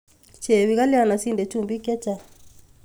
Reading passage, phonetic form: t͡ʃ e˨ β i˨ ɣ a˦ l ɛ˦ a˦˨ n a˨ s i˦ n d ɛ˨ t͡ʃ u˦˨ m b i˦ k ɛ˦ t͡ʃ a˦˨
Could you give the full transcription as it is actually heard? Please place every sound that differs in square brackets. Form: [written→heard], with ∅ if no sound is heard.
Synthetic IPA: t͡ʃ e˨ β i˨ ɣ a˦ l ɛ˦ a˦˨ n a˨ s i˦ n d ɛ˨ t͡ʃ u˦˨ m b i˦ k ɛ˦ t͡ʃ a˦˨